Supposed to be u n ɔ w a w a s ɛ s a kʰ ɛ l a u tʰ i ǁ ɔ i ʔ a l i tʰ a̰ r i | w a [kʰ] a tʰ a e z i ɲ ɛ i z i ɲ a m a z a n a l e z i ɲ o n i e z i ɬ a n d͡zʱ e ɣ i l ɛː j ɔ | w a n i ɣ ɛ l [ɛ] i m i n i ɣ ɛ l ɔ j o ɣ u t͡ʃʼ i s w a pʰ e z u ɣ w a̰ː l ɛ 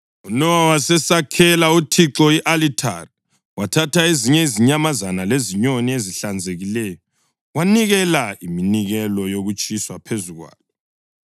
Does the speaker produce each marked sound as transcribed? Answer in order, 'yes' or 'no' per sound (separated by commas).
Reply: no, no